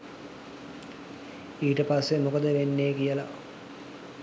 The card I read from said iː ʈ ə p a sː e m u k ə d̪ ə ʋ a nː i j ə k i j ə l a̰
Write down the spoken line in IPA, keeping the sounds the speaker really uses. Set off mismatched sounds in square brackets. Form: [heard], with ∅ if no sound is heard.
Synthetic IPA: iː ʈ ə p a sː e m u k ə d̪ ə ʋ [e] nː [e] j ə k i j ə l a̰